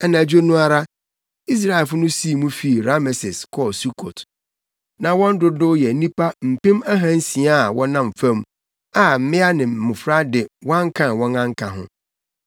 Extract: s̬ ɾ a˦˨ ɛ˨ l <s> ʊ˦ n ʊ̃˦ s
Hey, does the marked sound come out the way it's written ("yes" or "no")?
no